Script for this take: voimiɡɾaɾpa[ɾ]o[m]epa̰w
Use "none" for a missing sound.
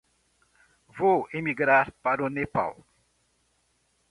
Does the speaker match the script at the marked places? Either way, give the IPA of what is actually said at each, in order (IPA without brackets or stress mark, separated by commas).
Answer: ɾ, n